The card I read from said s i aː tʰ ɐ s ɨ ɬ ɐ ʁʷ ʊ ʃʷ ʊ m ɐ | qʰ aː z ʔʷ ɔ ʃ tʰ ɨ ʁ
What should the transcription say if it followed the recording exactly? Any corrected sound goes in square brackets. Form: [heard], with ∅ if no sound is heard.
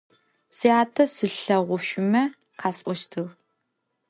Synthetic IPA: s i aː tʰ ɐ s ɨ ɬ ɐ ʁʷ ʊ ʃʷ ʊ m ɐ | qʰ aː [s] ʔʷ ɔ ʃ tʰ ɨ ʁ